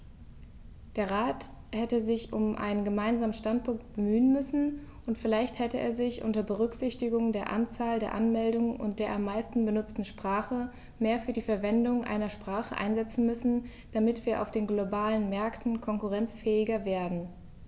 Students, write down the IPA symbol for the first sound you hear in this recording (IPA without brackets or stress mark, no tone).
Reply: d̥